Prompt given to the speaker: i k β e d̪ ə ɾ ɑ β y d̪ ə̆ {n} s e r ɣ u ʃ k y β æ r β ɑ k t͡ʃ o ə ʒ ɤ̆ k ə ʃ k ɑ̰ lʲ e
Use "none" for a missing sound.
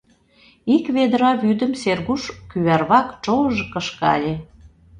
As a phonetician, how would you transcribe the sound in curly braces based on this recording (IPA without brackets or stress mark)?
m